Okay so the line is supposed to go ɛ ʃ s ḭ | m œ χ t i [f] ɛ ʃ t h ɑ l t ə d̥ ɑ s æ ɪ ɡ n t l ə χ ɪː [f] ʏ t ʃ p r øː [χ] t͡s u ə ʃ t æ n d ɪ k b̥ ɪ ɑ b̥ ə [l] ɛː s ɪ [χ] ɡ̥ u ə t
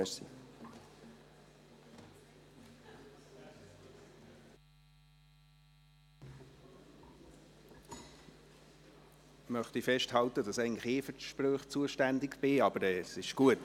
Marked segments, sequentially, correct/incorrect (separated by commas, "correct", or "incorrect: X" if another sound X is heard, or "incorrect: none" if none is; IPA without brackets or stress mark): correct, correct, correct, incorrect: ɾ, incorrect: ʃ